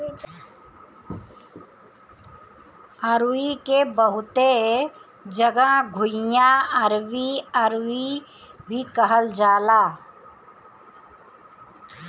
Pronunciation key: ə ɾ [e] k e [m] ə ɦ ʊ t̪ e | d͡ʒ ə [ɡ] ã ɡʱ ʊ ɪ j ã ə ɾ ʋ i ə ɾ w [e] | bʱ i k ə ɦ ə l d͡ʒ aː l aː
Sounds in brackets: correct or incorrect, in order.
incorrect: i, incorrect: b, correct, incorrect: i

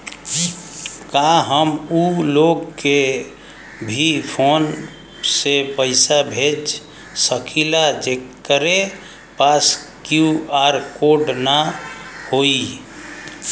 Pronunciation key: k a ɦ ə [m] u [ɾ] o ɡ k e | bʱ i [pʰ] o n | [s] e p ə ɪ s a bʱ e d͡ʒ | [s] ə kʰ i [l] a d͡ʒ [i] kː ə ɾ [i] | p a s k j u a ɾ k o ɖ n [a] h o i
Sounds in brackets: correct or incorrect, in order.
correct, incorrect: l, correct, correct, correct, correct, incorrect: e, incorrect: e, correct

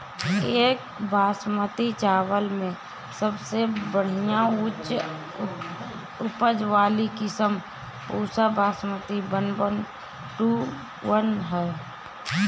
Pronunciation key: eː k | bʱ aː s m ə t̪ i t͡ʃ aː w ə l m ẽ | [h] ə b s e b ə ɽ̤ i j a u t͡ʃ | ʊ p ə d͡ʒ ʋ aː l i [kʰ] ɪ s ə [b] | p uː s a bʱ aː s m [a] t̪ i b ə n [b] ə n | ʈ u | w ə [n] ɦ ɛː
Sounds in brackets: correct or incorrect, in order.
incorrect: s, incorrect: k, incorrect: m, incorrect: ə, correct, correct

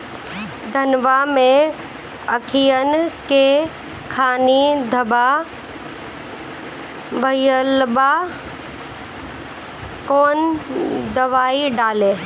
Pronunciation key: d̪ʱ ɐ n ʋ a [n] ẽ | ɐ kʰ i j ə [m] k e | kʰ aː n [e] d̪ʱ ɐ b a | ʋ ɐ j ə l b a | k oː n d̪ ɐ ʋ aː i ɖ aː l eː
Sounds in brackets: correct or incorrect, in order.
incorrect: m, incorrect: n, incorrect: i

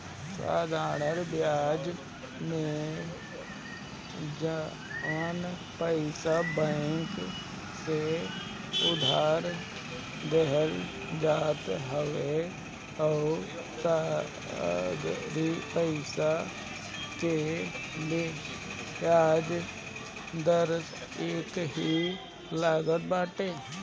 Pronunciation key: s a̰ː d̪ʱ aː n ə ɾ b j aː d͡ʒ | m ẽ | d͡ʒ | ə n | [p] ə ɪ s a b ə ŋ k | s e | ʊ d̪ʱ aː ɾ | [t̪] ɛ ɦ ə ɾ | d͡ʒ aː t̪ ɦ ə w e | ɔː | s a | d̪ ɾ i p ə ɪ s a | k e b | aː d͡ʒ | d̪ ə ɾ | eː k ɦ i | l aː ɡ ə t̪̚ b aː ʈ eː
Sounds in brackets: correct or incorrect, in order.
correct, incorrect: d̪

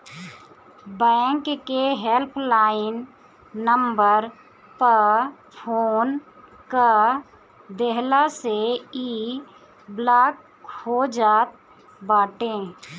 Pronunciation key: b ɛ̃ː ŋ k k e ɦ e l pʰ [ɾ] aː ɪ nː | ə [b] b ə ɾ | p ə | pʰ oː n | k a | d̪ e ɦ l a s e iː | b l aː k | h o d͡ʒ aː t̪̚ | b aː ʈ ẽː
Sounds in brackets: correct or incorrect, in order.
incorrect: l, incorrect: m

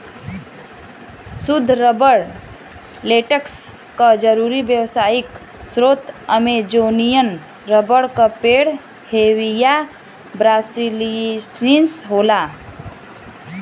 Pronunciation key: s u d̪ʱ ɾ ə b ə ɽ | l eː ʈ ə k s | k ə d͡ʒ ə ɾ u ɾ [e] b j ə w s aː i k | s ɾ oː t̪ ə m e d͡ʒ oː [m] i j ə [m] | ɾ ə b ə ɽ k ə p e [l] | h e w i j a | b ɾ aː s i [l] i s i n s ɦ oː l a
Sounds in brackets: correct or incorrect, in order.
incorrect: i, incorrect: n, incorrect: n, incorrect: ɽ, correct

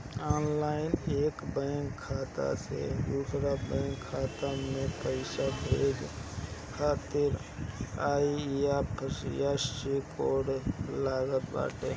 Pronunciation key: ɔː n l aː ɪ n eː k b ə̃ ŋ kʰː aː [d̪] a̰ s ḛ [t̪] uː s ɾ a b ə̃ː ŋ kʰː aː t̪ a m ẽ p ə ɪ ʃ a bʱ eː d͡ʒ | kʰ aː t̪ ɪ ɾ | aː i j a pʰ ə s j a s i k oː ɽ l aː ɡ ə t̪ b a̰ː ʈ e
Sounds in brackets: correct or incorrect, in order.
incorrect: t̪, incorrect: d̪

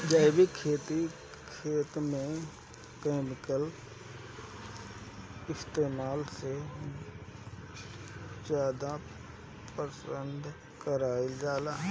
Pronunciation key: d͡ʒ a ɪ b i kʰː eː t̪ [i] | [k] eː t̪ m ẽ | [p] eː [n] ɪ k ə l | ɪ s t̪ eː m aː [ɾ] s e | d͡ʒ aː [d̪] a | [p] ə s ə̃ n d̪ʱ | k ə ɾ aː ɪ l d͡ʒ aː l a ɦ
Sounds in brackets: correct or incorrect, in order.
correct, incorrect: kʰ, incorrect: k, incorrect: m, incorrect: l, correct, correct

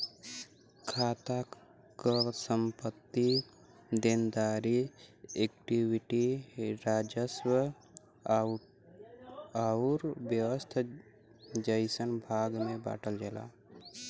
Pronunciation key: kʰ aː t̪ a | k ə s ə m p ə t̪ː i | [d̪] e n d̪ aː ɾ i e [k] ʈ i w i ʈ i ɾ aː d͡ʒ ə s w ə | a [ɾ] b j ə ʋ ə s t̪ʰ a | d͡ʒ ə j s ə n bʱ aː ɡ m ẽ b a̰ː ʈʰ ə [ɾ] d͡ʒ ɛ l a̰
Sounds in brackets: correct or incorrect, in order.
correct, correct, correct, incorrect: l

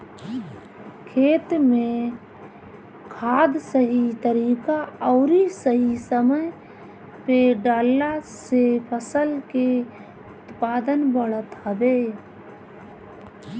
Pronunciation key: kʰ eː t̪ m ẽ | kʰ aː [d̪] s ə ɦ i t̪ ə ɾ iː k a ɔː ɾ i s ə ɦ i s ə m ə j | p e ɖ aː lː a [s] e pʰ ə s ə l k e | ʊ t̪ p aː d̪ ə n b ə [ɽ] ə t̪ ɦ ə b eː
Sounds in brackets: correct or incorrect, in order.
correct, correct, correct

